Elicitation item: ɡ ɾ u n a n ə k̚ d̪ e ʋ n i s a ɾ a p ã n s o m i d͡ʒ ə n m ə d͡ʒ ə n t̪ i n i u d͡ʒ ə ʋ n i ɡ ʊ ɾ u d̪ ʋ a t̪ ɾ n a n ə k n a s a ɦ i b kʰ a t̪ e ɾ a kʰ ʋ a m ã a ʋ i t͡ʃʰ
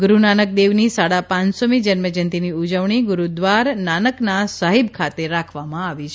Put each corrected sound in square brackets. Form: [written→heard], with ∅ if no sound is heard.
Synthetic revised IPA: ɡ ɾ u n a n ə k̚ d̪ e ʋ n i s a [ɾ→ɽ] a p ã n s o m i d͡ʒ ə n m ə d͡ʒ ə n t̪ i n i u d͡ʒ ə ʋ [n→ɳ] i ɡ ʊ ɾ u d̪ ʋ a [t̪→∅] ɾ n a n ə k n a s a ɦ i b kʰ a t̪ e ɾ a kʰ ʋ a m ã a ʋ i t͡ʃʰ